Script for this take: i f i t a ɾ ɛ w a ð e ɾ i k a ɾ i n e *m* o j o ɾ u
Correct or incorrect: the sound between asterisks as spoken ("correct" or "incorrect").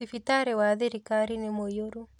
correct